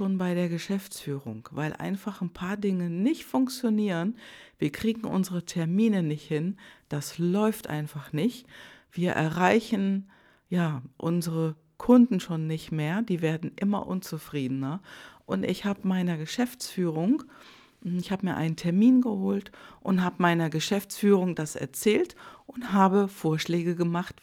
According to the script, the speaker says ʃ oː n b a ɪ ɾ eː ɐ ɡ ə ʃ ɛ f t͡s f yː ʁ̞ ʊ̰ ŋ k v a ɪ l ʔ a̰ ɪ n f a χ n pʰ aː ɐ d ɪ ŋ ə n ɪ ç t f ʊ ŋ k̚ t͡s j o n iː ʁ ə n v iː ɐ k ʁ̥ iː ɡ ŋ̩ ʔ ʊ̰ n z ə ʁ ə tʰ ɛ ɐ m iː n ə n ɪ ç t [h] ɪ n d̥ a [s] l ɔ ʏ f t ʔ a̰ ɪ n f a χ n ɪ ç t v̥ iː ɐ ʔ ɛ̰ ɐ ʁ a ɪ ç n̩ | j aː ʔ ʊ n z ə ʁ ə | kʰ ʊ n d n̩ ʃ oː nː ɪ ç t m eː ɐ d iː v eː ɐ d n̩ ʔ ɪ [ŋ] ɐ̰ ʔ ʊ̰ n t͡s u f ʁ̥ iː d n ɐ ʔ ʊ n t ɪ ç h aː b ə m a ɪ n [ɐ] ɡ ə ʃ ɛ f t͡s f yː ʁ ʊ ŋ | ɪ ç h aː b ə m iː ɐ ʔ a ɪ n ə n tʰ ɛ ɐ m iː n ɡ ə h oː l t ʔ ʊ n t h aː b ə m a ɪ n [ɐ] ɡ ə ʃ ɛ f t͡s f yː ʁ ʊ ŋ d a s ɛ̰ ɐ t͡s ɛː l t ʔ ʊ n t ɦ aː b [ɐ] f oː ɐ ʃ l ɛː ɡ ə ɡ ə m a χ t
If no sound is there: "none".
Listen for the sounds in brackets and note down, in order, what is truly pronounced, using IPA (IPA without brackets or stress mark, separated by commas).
h, s, m, ɐ, ɐ, ə